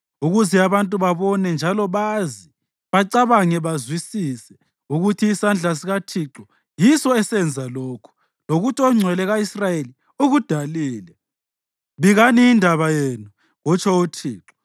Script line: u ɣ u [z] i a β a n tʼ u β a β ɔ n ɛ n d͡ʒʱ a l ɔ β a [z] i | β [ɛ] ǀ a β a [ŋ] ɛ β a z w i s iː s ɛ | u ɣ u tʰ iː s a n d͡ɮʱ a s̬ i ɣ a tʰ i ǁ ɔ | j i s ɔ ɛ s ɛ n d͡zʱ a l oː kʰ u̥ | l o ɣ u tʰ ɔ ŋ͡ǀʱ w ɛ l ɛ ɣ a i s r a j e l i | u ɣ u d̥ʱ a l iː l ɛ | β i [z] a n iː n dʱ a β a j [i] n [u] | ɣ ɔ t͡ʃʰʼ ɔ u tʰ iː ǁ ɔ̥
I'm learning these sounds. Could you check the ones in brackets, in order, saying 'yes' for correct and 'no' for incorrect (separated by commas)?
yes, yes, no, yes, no, no, yes